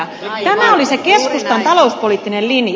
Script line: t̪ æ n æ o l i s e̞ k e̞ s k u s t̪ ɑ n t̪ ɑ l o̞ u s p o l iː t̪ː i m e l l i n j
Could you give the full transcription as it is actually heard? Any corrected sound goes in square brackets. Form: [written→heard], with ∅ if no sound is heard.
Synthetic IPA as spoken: t̪ æ [n→m] æ o l i s e̞ k e̞ s k u s t̪ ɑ n t̪ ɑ l o̞ u s p o l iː t̪ː i [m→n] e l l i n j